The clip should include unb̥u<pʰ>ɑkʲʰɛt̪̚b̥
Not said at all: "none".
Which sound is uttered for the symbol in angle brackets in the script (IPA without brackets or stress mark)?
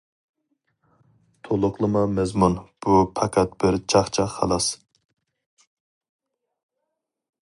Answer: pʰ